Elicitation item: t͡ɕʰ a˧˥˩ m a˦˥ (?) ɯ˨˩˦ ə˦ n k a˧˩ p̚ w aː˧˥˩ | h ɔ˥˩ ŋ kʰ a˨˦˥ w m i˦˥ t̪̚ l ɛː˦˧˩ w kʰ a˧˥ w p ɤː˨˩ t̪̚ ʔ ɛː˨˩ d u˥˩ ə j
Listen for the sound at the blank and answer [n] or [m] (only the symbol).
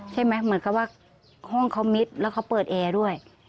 m